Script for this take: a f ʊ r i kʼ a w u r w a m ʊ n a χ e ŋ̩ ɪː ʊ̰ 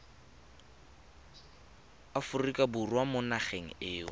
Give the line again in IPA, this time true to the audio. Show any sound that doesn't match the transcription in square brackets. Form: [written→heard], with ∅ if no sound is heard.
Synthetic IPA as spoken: a f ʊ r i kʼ a [w→b] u r w a m ʊ n a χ e ŋ̩ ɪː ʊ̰

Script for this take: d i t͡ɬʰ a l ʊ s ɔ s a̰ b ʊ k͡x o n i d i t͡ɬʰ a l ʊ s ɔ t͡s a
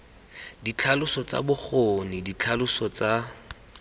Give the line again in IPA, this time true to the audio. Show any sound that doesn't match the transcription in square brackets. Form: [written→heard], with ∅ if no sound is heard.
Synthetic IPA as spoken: d i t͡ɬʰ a l ʊ s ɔ [s→t͡s] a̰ b ʊ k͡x o n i d i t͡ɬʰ a l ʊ s ɔ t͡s a

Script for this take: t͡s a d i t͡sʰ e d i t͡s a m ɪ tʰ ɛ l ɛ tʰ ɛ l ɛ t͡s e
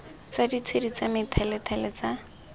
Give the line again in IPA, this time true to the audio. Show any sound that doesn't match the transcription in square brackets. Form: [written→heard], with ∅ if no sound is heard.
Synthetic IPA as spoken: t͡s a d i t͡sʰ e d i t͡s a m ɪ tʰ ɛ l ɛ tʰ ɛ l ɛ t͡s [e→a]

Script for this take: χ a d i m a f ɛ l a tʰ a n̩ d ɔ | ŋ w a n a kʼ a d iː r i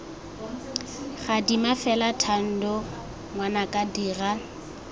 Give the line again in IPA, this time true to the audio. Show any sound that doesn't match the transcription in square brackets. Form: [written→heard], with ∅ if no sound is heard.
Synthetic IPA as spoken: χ a d i m a f ɛ l a tʰ a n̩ d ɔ | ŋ w a n a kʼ a d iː r [i→a]

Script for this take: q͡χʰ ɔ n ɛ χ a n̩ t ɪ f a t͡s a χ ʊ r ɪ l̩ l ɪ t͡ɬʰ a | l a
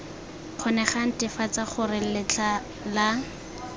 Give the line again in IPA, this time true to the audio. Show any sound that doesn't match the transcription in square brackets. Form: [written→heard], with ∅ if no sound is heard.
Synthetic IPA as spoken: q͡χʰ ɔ n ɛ χ a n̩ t ɪ f a t͡s a χ ʊ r ɪ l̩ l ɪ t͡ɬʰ a | l a

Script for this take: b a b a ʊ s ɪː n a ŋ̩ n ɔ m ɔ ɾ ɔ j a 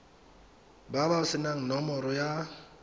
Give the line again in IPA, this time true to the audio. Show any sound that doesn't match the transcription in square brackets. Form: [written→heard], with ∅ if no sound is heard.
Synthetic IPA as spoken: b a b a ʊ s [ɪː→ɪ] n a ŋ̩ n ɔ m ɔ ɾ ɔ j a

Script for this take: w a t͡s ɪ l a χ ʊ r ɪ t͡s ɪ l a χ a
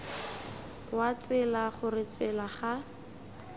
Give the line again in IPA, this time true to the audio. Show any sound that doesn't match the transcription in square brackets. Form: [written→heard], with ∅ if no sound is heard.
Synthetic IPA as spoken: w a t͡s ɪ l a χ ʊ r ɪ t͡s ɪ l a χ a

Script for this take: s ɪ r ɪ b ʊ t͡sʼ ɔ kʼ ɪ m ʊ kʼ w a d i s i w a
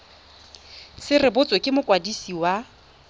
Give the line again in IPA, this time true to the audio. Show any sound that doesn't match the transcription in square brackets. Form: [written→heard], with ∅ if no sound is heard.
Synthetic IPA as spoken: s ɪ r ɪ b ʊ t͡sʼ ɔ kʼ ɪ m ʊ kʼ w a d i s i w a

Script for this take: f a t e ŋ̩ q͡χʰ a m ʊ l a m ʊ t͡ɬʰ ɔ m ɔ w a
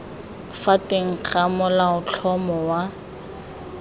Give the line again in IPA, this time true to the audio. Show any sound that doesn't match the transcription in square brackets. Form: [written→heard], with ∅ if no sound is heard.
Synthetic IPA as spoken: f a t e ŋ̩ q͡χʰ a m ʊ l a [m→∅] ʊ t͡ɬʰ ɔ m ɔ w a

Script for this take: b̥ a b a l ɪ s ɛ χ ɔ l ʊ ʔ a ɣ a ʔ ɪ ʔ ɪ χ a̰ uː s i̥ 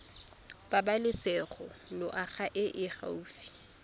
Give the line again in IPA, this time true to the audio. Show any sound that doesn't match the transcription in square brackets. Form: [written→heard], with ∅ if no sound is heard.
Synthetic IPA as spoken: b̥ a b a l ɪ s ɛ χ ɔ l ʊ ʔ a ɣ a ʔ ɪ ʔ ɪ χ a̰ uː [s→f] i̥

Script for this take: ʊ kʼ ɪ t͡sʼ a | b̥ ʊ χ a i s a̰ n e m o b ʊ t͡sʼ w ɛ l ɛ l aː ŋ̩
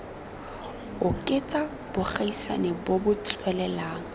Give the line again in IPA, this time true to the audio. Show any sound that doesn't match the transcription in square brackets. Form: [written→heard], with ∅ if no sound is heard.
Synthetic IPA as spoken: ʊ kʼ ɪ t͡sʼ a | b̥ ʊ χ a i s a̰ n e [m→b] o b ʊ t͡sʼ w ɛ l ɛ l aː ŋ̩

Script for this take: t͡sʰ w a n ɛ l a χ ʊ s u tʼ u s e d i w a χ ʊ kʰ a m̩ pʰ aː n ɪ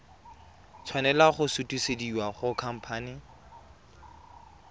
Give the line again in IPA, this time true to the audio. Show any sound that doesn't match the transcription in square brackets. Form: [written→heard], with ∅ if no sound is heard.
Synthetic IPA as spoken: t͡sʰ w a n ɛ l a χ ʊ s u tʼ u s e d i w a χ ʊ kʰ a m̩ pʰ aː n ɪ

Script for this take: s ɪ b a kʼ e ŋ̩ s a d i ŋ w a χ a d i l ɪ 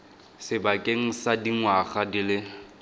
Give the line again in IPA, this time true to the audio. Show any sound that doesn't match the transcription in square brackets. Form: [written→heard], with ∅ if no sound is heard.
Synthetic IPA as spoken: s ɪ b a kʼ e ŋ̩ s a d i ŋ w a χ a d i l ɪ

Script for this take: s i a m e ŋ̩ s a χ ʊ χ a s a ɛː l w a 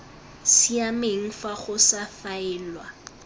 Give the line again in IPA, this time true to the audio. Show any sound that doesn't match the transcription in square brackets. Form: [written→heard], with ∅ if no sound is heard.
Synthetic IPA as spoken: s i a m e ŋ̩ [s→f] a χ ʊ [χ→s] a [s→f] a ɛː l w a

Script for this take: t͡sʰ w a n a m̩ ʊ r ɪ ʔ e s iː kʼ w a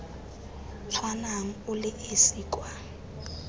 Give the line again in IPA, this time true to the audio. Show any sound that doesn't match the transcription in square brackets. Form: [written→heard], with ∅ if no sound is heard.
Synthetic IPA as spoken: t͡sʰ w a n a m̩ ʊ [r→l] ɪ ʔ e s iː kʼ w a

